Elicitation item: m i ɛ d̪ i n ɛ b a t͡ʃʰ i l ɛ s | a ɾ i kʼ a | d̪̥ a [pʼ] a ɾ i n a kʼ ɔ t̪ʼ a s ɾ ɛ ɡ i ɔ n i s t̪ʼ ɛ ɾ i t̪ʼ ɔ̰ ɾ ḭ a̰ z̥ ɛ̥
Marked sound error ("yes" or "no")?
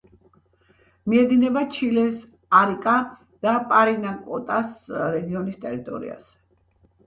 no